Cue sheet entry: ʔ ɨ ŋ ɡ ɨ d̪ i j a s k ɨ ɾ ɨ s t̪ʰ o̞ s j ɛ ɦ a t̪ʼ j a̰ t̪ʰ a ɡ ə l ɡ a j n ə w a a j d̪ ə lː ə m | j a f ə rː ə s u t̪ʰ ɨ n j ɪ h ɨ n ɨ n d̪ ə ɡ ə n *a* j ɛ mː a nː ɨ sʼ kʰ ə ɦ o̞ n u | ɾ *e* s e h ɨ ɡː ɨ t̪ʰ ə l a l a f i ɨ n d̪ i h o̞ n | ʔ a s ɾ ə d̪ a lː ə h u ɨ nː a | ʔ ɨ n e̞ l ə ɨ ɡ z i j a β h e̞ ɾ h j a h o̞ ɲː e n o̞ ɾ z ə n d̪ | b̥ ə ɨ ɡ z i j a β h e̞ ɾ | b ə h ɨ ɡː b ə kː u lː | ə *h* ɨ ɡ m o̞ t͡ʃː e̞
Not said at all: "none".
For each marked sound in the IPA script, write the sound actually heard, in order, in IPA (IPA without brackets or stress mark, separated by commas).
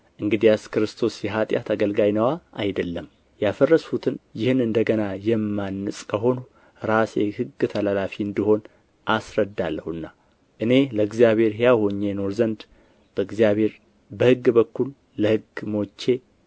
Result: a, a, h